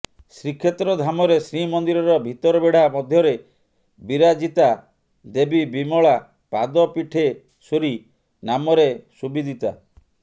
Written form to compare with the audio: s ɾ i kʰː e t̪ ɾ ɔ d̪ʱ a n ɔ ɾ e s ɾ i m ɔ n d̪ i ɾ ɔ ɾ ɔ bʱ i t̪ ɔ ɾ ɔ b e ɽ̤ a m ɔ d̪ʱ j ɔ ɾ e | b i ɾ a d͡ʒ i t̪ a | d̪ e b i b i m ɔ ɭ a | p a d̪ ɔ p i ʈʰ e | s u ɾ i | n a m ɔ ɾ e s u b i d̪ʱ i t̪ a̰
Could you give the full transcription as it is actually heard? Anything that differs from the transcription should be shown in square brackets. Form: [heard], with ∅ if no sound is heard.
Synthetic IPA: s ɾ i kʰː e t̪ ɾ ɔ d̪ʱ a [m] ɔ ɾ e s ɾ i m ɔ n d̪ i ɾ ɔ ɾ ɔ bʱ i t̪ ɔ ɾ ɔ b e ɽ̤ a m ɔ d̪ʱ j ɔ ɾ e | b i ɾ a d͡ʒ i t̪ a | d̪ e b i b i m ɔ ɭ a | p a d̪ ɔ p i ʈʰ e | s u ɾ i | n a m ɔ ɾ e s u b i d̪ʱ i t̪ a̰